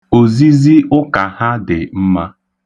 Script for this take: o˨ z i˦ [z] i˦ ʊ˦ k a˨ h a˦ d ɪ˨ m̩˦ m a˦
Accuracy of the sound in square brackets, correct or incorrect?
correct